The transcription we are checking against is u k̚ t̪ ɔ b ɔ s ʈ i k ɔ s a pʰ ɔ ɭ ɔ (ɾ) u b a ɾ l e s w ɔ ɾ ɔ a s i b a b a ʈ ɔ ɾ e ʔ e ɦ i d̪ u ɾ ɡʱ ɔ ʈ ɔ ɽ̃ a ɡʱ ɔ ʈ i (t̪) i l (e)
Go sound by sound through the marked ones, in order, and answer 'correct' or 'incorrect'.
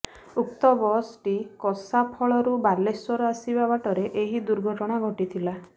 correct, incorrect, incorrect

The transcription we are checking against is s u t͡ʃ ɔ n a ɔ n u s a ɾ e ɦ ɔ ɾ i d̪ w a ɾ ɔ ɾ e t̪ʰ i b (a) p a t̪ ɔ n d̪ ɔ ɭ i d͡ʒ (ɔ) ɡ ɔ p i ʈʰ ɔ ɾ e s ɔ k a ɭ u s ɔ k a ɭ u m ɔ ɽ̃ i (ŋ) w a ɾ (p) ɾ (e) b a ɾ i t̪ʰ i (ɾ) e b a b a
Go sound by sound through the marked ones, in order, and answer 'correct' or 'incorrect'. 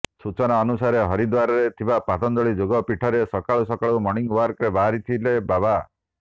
correct, incorrect, correct, incorrect, correct, incorrect

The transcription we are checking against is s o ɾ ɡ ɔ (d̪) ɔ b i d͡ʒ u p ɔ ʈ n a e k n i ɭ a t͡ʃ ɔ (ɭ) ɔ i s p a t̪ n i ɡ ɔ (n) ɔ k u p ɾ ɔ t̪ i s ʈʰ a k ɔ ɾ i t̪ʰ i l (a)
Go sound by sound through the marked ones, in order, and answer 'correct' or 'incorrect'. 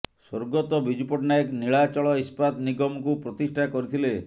incorrect, correct, incorrect, incorrect

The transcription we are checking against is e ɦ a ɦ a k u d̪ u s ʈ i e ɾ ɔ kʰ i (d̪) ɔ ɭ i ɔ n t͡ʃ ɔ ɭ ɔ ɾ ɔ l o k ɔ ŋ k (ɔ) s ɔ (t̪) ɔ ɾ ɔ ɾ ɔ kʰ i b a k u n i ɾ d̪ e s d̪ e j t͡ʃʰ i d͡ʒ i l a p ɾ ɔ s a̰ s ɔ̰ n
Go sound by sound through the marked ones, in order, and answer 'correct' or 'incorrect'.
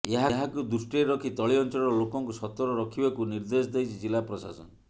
incorrect, incorrect, correct

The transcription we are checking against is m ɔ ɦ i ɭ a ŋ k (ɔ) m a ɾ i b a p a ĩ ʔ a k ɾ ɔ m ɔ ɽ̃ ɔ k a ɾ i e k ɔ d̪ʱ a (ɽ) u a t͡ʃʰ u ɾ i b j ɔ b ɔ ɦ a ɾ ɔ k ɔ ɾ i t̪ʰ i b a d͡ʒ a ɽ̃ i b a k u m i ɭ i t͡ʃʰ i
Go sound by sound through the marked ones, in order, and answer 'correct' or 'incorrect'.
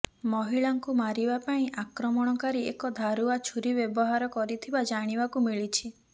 incorrect, incorrect

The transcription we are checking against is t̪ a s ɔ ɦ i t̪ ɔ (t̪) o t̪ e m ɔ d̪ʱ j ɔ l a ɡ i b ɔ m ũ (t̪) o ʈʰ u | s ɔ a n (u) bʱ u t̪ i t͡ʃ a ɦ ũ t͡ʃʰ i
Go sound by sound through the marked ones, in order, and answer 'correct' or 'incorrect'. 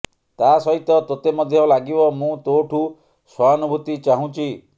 correct, correct, correct

